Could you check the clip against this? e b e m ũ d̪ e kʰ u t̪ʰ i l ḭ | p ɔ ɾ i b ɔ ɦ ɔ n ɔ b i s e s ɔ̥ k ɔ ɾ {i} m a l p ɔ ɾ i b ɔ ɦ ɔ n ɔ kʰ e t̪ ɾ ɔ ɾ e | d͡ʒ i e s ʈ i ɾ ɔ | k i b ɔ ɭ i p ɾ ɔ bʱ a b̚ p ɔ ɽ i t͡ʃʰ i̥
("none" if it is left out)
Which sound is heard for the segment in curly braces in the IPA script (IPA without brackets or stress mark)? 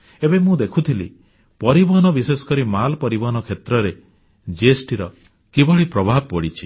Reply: i